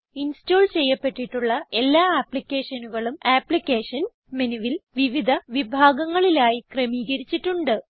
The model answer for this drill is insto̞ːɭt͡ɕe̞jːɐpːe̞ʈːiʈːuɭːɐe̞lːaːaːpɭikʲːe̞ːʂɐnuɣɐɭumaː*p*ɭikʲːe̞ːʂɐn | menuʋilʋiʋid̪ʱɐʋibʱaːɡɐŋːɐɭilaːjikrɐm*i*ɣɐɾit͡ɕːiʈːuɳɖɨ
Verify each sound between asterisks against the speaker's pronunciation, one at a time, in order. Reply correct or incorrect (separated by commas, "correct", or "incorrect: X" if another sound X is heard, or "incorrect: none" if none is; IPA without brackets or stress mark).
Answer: correct, incorrect: iː